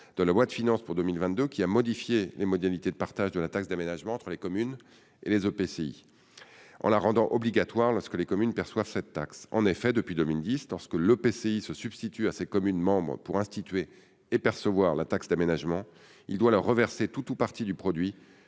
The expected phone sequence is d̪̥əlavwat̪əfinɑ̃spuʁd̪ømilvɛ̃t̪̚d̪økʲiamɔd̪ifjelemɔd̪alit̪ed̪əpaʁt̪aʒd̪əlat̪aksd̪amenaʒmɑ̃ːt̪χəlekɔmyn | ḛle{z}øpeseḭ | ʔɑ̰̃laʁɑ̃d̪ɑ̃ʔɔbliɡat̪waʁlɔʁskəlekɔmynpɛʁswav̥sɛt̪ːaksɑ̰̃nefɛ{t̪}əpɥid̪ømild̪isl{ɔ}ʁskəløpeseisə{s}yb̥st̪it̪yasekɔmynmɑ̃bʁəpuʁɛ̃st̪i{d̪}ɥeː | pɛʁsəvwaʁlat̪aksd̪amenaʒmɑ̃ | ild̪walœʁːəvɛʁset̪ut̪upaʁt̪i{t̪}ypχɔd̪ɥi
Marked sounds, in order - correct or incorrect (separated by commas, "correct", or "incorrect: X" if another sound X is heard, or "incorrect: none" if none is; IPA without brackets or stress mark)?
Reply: correct, incorrect: d̪, correct, correct, incorrect: t̪, incorrect: d̪